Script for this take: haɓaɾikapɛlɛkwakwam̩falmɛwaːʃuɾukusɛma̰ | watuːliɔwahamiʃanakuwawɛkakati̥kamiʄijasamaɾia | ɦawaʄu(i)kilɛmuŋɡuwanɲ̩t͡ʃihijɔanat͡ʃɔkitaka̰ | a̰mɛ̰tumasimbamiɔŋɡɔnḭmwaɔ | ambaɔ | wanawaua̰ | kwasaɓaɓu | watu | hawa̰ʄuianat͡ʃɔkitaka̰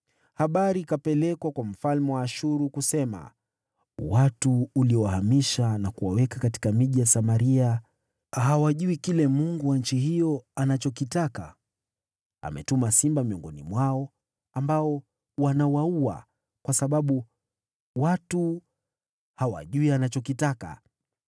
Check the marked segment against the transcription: correct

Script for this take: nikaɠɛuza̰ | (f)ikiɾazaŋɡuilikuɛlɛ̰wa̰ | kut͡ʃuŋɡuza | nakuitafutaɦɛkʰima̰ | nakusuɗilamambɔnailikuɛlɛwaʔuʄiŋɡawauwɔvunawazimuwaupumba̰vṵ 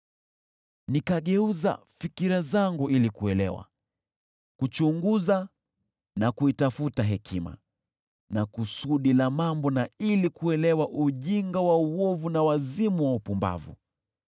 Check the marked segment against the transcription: correct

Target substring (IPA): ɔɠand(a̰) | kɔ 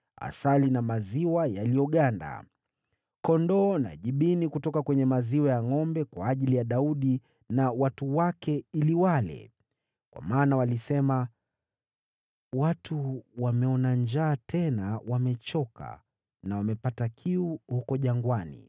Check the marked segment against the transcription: correct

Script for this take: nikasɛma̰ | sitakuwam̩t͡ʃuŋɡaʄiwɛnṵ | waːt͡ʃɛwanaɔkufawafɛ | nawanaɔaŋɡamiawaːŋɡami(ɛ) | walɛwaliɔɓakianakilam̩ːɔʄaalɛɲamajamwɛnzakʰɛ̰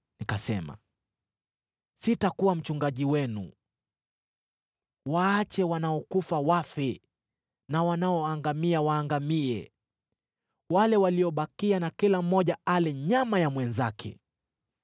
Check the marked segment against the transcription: correct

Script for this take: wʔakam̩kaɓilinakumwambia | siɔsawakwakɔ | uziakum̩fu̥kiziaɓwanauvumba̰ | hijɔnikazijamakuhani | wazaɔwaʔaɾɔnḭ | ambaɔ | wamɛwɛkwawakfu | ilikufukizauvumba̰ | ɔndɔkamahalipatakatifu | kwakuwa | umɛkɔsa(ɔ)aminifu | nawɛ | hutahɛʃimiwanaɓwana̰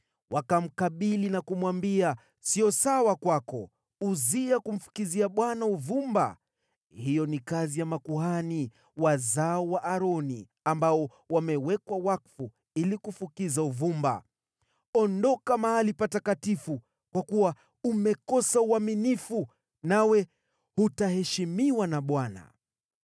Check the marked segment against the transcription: incorrect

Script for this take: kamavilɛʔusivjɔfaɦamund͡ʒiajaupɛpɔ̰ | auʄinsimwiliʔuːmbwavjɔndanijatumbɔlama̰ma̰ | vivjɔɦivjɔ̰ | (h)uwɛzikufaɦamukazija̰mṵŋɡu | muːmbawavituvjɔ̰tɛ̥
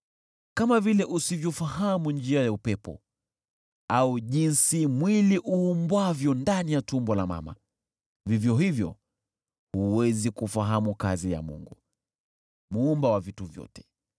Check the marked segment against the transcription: correct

